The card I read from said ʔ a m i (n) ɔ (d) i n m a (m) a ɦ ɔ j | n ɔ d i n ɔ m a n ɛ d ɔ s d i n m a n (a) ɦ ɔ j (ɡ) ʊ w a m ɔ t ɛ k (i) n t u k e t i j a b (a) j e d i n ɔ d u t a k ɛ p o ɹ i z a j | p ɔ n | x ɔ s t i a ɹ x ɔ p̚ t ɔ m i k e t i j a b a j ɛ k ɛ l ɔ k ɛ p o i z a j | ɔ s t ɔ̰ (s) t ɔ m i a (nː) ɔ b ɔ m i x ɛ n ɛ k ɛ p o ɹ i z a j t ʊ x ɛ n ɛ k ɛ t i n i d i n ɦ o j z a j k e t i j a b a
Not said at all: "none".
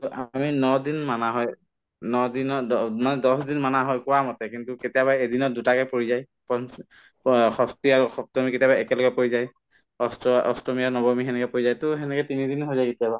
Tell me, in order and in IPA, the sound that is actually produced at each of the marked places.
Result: n, d, n, a, k, i, a, s, n

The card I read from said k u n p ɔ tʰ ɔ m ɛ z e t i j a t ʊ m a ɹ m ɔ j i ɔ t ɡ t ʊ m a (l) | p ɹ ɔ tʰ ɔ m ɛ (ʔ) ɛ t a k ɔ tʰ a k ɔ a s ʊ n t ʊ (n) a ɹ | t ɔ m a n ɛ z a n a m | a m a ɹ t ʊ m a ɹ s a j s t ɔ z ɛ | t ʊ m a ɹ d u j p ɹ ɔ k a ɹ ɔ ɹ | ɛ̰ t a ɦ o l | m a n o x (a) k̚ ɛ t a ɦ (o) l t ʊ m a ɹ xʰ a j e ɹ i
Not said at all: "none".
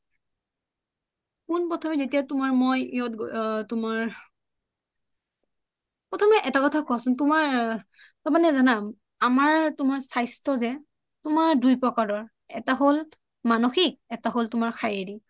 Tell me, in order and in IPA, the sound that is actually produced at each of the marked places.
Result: ɹ, ʔ, m, i, o

